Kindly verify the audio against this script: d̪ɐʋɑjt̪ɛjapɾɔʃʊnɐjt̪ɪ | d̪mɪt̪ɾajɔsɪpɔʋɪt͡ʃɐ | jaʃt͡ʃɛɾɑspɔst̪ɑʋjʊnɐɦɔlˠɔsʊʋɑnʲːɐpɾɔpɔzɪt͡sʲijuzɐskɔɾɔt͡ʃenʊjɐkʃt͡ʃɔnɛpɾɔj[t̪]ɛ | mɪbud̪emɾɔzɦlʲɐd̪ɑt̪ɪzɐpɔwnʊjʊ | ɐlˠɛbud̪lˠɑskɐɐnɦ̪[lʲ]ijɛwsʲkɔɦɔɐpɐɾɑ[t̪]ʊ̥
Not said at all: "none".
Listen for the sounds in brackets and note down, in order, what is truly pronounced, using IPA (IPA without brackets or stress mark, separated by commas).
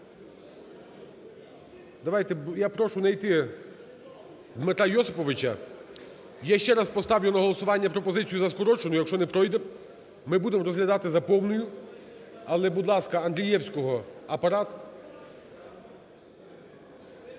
d̪, ɾʲ, t̪